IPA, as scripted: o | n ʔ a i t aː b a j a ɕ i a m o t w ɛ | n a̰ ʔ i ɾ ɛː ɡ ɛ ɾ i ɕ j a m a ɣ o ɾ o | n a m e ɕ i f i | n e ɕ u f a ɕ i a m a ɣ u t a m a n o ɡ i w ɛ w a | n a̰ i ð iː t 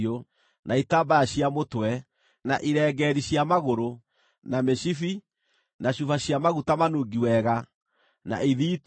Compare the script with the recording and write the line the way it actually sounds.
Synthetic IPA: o | n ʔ a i t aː b a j a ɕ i a m o t w ɛ | n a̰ ʔ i ɾ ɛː ɡ ɛ ɾ i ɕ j a m a ɣ o ɾ o | n a m e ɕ i f i | n a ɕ u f a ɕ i a m a ɣ u t a m a n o ɡ i w ɛ ɣ a | n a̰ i ð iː t